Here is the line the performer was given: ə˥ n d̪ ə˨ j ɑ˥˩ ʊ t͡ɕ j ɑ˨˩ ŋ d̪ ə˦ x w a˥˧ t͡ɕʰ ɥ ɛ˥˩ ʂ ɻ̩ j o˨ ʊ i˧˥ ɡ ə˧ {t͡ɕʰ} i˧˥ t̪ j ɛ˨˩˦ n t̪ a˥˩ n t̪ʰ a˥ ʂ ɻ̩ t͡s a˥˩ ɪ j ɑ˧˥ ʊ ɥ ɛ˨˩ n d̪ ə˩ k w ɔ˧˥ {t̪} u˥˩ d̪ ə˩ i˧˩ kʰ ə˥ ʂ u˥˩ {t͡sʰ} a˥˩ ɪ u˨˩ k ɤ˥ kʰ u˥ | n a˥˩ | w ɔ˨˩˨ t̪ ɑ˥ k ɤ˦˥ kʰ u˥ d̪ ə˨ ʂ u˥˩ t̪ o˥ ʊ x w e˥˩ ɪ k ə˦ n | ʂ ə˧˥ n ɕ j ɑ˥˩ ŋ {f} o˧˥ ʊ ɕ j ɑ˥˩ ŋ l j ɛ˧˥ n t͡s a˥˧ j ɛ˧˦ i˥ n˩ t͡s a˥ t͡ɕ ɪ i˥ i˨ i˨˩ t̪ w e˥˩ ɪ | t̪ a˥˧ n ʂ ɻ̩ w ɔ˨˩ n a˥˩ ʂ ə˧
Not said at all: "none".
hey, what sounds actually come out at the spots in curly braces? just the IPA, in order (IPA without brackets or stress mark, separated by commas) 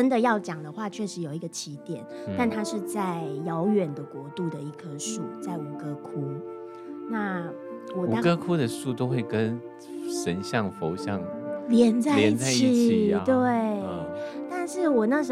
t͡ɕʰ, t̪, t͡s, f